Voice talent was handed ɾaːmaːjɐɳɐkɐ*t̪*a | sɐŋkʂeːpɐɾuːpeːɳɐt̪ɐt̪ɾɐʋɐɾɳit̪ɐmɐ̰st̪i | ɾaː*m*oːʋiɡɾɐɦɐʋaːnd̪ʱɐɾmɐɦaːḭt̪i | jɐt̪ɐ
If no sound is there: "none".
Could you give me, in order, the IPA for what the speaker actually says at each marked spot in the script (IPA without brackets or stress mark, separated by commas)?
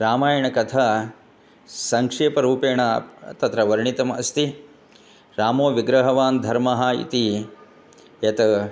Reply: t̪ʰ, m